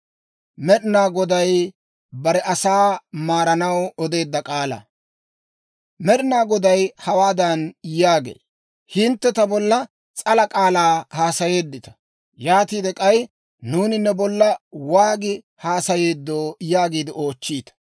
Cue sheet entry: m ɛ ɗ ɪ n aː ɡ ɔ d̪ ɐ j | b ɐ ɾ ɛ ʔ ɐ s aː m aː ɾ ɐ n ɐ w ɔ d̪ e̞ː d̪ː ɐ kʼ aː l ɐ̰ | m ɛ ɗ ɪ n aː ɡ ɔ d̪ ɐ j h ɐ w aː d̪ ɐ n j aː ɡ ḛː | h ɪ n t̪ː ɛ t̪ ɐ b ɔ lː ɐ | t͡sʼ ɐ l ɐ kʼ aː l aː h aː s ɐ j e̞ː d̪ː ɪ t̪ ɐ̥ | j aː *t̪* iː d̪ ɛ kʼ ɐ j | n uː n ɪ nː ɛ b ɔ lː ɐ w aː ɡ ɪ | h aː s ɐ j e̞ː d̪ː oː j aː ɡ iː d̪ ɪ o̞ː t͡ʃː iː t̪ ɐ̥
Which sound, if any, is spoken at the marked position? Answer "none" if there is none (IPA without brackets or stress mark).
t̪